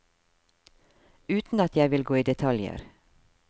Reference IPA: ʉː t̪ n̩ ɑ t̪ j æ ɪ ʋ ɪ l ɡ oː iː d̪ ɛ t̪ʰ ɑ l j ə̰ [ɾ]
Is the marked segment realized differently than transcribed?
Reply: no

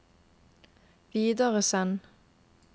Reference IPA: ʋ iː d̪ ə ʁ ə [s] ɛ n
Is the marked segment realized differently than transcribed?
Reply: no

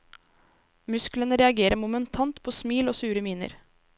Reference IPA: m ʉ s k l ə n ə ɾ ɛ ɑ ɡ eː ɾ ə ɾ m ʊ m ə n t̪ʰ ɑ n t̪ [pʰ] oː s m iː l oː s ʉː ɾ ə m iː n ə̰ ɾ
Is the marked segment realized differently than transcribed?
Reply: no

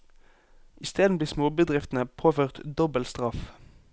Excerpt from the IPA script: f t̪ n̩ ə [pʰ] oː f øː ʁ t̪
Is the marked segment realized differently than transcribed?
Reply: no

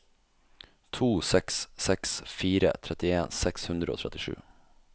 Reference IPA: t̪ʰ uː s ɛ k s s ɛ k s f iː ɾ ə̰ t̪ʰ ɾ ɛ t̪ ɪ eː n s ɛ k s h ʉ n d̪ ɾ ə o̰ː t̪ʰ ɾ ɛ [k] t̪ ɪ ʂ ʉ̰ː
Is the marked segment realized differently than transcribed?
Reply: yes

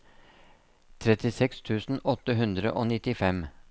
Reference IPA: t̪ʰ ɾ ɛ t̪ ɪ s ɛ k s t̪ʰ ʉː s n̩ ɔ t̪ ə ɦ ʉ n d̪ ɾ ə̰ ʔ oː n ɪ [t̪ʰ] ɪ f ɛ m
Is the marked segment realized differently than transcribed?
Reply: yes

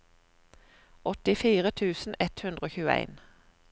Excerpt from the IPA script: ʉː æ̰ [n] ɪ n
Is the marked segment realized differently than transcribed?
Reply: yes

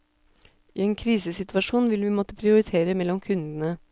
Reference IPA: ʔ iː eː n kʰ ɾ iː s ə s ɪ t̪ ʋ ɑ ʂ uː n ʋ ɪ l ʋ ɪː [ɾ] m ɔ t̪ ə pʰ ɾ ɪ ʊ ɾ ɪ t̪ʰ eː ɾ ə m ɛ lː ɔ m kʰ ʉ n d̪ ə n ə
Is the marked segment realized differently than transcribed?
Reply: yes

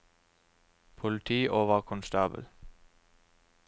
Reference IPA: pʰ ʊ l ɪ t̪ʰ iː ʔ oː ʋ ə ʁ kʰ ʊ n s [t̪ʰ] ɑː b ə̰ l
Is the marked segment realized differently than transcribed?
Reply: yes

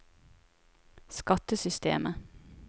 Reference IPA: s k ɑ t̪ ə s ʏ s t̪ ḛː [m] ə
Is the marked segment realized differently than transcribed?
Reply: no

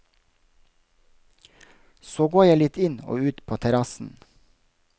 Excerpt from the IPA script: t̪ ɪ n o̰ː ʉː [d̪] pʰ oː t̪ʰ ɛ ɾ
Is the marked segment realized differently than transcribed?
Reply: yes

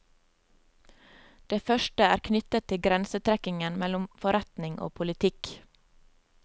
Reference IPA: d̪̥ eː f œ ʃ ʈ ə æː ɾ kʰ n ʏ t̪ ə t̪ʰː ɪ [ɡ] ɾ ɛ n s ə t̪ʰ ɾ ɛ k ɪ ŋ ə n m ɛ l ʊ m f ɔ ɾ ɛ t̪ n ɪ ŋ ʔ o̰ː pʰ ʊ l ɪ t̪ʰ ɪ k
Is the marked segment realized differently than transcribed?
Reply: no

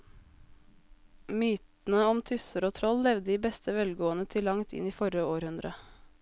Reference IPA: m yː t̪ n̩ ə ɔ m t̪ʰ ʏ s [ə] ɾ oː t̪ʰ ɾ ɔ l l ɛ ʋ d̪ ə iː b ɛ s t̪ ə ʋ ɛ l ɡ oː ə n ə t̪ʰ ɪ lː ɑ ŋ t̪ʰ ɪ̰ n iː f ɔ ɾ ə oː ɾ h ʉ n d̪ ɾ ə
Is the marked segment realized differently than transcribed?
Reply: no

